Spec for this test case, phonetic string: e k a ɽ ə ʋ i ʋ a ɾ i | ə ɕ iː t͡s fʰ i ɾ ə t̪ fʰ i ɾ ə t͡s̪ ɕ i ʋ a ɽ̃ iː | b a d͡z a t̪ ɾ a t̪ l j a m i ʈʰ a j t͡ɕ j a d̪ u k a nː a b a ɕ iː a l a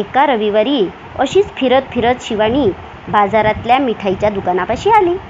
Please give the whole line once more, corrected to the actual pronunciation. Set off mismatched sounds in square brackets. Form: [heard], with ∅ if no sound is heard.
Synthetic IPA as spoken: e k a [ɾ] ə ʋ i ʋ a ɾ i | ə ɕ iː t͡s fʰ i ɾ ə t̪ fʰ i ɾ ə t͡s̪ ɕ i ʋ a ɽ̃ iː | b a d͡z a [∅] ɾ a t̪ l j a m i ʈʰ a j t͡ɕ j a d̪ u k a [n] a [p] a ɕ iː a l [i]